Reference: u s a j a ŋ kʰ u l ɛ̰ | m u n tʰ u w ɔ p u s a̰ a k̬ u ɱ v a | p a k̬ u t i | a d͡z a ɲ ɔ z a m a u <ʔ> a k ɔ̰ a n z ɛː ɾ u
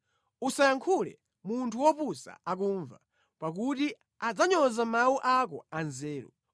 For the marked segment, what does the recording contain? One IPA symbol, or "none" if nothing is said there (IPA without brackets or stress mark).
ʔ